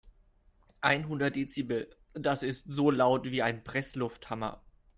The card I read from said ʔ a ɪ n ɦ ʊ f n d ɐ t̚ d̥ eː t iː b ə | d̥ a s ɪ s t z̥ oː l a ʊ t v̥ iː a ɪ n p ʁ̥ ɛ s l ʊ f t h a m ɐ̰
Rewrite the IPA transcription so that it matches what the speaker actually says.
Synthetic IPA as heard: ʔ a ɪ n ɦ ʊ n d ɐ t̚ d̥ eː t͡s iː b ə | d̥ a s ɪ s t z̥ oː l a ʊ t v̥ iː a ɪ n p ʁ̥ ɛ s l ʊ f t h a m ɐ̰